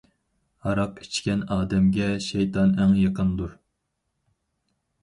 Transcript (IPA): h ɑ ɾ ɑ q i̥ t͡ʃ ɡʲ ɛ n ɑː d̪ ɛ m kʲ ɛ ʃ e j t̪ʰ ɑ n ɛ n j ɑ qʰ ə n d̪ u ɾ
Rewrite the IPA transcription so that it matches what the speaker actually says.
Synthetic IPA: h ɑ ɾ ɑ q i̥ t͡ʃ kʲ ɛ n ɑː d̪ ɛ m ɡʲ ɛ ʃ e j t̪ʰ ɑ n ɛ ŋ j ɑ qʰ ə n d̪ u ɾ